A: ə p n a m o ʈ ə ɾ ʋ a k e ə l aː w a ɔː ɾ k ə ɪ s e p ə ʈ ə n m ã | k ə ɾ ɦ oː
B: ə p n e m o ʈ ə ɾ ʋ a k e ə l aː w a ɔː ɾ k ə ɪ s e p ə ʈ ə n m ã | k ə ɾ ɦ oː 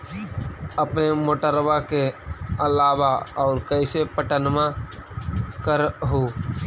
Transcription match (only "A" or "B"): B